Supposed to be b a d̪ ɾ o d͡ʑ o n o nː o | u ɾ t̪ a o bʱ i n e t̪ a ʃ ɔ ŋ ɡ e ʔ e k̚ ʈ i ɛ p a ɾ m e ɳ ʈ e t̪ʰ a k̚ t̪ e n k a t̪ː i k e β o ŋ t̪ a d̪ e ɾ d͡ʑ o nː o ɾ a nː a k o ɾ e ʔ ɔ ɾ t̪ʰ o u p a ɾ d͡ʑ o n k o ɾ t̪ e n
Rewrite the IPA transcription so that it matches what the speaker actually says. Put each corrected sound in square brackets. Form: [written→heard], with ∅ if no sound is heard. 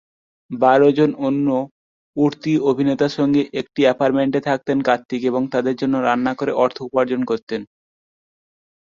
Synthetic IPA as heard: b a [d̪→∅] ɾ o d͡ʑ o n o nː o | u ɾ t̪ [a→i] o bʱ i n e t̪ a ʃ ɔ ŋ ɡ e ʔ e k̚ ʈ i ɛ p a ɾ m e ɳ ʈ e t̪ʰ a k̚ t̪ e n k a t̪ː i k e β o ŋ t̪ a d̪ e ɾ d͡ʑ o nː o ɾ a nː a k o ɾ e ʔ ɔ ɾ t̪ʰ o u p a ɾ d͡ʑ o n k o ɾ t̪ e n